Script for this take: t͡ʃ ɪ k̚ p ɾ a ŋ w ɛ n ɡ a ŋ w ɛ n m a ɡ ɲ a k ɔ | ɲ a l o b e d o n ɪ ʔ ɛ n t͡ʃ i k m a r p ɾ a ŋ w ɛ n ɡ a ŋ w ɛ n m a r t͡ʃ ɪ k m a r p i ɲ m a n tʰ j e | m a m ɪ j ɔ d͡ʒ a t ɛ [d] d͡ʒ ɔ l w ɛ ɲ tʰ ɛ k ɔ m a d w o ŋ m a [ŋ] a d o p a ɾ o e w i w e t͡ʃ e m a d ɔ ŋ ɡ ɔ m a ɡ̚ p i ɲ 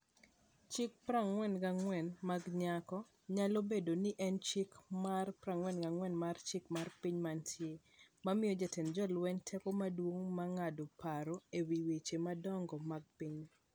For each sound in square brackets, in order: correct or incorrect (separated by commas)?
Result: incorrect, correct